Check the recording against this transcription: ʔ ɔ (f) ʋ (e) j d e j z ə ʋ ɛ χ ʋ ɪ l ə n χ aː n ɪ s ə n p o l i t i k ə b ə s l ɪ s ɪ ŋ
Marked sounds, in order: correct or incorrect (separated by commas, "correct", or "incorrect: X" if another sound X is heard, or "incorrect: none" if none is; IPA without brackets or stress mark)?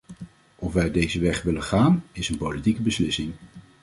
correct, incorrect: ɛ